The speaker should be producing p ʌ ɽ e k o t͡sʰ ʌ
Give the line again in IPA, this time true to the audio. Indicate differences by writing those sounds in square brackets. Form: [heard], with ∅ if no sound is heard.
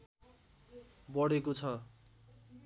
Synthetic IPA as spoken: [b] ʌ ɽ e k o t͡sʰ ʌ